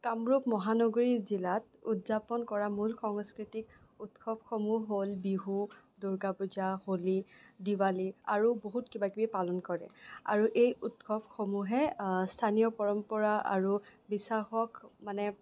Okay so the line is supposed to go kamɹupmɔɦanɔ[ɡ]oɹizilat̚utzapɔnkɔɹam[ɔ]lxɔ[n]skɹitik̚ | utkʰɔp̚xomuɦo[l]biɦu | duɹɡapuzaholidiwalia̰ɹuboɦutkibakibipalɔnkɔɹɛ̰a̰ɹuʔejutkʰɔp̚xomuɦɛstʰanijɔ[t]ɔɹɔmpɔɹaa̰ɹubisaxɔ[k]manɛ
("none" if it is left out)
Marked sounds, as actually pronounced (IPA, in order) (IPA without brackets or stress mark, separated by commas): ɡ, u, ŋ, l, p, k